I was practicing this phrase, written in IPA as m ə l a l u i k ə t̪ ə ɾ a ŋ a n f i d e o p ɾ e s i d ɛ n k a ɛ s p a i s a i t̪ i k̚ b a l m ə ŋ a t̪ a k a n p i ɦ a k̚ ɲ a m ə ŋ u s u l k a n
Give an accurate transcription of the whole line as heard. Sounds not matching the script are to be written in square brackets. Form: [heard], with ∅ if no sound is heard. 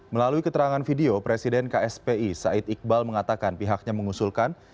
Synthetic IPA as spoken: m ə l a l u i k ə t̪ ə ɾ a ŋ a n f i d e o p ɾ e s i d ɛ n k a ɛ s p [e] i s a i t̪ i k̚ b a l m ə ŋ a t̪ a k a n p i ɦ a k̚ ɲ a m ə ŋ u s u l k a n